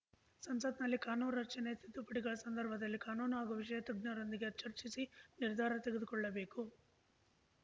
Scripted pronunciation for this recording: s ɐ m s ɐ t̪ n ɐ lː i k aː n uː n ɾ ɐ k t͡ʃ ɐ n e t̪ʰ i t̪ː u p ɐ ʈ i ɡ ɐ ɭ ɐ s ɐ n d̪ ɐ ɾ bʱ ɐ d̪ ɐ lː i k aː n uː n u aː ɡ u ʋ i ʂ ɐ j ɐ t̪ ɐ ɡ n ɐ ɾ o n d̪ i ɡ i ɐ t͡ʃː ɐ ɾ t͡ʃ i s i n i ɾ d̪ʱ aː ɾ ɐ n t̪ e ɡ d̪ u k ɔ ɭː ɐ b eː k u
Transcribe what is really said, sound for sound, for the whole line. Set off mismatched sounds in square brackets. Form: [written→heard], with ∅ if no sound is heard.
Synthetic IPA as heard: s ɐ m s ɐ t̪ n ɐ lː i k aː n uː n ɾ ɐ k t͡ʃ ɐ n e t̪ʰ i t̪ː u p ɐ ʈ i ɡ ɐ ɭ ɐ s ɐ n d̪ ɐ ɾ bʱ ɐ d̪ ɐ lː i k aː n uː n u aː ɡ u ʋ i ʂ ɐ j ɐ t̪ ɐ ɡ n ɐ ɾ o n d̪ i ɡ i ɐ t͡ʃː ɐ ɾ t͡ʃ i s i n i ɾ d̪ʱ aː ɾ ɐ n t̪ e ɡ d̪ u k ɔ ɭː ɐ b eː k u